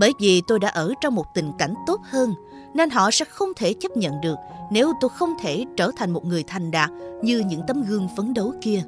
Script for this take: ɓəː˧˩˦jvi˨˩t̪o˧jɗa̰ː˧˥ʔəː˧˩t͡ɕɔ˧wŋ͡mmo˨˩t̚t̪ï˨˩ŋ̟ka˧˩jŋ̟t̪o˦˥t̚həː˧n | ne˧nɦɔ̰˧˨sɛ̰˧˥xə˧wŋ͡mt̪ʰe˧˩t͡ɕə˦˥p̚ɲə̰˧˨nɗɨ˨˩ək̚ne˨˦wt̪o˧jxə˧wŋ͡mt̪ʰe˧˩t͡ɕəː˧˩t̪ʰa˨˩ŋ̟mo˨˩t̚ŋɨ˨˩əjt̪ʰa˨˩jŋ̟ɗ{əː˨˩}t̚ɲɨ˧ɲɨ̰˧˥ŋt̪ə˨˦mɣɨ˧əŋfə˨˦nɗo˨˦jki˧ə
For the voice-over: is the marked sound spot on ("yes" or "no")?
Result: no